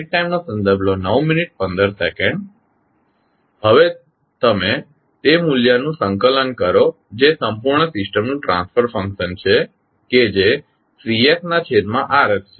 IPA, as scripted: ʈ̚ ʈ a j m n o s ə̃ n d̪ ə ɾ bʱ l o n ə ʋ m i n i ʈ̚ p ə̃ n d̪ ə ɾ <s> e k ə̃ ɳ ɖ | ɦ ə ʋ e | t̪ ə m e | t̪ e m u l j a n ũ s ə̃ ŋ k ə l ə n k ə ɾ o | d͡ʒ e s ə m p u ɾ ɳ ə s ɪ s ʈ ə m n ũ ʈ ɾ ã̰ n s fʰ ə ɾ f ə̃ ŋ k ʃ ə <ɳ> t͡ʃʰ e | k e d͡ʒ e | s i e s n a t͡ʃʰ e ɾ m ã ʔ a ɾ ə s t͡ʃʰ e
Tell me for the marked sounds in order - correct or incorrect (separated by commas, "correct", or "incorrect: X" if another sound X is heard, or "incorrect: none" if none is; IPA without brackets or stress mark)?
correct, incorrect: n